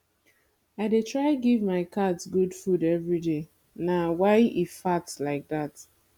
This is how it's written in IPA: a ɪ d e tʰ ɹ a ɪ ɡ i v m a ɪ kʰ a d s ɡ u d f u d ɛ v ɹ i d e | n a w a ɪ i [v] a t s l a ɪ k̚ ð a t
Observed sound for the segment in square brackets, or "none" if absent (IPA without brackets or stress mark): f